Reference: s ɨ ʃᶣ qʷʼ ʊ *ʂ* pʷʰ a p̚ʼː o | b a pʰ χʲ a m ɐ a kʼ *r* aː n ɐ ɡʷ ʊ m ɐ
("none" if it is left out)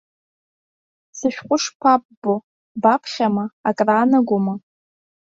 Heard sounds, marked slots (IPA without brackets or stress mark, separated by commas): ʂ, r